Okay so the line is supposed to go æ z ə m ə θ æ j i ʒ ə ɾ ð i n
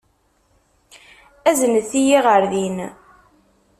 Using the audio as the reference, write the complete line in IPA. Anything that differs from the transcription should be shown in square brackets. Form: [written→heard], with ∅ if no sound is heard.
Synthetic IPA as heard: æ z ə [m→n] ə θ [æ→i] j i [ʒ→ʁ] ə ɾ ð i n